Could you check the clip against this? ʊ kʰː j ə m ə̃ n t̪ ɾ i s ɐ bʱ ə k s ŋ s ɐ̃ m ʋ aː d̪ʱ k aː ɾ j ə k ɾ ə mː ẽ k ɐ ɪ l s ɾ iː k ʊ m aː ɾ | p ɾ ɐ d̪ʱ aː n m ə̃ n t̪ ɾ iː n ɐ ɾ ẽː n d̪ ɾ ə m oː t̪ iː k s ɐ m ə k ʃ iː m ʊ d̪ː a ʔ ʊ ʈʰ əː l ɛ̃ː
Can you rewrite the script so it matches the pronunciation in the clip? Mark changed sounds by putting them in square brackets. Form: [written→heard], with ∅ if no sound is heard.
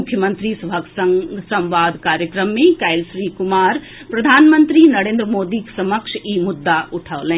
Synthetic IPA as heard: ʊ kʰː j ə m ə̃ n t̪ ɾ i s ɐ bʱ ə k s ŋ s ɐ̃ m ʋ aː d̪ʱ k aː ɾ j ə k ɾ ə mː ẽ k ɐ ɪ l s ɾ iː k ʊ m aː ɾ | p ɾ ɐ d̪ʱ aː n m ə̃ n t̪ ɾ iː n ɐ ɾ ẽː n d̪ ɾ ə m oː [t̪→d̪] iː k s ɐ m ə k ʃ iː m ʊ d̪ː a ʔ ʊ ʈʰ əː l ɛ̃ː